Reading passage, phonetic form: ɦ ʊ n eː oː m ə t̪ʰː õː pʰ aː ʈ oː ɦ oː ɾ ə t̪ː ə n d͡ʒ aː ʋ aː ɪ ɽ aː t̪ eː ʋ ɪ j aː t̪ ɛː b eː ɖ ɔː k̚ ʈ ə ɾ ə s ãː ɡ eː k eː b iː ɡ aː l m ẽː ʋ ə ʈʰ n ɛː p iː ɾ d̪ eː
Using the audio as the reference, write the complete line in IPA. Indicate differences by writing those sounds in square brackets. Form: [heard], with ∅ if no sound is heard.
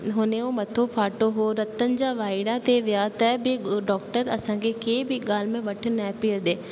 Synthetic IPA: ɦ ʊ n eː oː m ə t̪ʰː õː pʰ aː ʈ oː ɦ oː ɾ ə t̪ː ə n d͡ʒ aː ʋ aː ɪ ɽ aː t̪ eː ʋ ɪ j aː t̪ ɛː b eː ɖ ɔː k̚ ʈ ə ɾ ə s ãː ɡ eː k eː b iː ɡ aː l m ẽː ʋ ə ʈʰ n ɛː p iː ɾ d̪ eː